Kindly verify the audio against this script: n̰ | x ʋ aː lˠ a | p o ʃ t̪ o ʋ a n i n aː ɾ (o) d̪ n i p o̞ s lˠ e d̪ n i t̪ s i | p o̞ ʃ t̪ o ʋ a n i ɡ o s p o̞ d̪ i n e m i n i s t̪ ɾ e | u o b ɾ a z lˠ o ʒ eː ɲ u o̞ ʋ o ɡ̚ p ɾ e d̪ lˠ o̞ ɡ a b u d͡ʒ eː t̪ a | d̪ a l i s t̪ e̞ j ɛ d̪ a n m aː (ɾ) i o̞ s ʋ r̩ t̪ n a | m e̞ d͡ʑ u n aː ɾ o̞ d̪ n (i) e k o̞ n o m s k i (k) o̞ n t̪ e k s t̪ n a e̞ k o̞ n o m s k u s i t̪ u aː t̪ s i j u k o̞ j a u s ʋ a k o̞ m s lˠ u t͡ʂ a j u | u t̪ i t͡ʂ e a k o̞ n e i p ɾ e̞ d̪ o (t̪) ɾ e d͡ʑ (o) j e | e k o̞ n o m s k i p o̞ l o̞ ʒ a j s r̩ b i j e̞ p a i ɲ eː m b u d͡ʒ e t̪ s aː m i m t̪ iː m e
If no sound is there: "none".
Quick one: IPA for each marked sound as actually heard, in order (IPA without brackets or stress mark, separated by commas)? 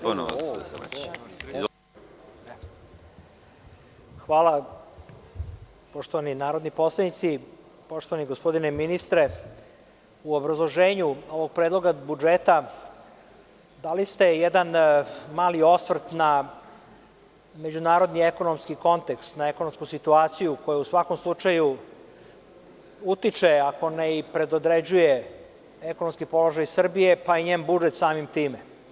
o, l, i, k, d̪, u